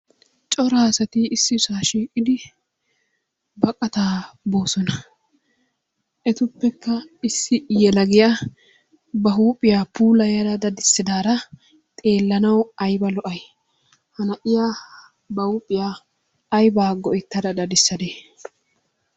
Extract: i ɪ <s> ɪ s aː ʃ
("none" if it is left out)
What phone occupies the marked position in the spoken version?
sː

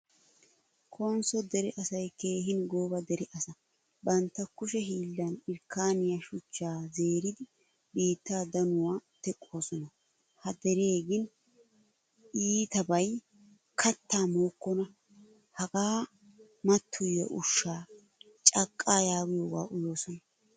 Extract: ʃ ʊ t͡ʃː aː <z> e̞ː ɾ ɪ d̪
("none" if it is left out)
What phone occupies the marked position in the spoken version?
z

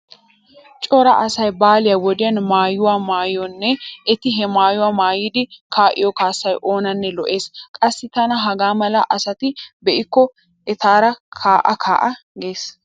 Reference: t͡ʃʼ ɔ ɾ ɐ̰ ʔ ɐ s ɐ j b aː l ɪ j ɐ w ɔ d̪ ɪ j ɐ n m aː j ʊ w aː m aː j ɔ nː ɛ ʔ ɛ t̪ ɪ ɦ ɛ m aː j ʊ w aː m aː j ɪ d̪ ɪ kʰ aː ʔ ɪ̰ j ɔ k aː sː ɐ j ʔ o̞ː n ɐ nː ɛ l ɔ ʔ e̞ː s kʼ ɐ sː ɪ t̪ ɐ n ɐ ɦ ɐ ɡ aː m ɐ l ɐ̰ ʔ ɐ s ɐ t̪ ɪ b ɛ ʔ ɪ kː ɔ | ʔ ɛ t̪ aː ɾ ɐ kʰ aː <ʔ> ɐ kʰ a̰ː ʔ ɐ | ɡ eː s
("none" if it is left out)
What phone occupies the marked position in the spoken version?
ʔ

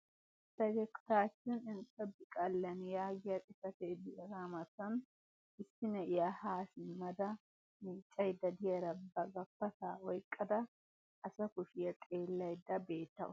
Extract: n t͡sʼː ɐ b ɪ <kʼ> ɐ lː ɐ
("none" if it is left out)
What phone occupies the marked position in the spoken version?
kʼ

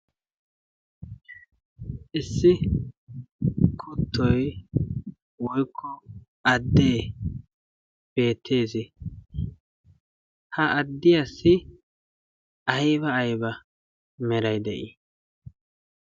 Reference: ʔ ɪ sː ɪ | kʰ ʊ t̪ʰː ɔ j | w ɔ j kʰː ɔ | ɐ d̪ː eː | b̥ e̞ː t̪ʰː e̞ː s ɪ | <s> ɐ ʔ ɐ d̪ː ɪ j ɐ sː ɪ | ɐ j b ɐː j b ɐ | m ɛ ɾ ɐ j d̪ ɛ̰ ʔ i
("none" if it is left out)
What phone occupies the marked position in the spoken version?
h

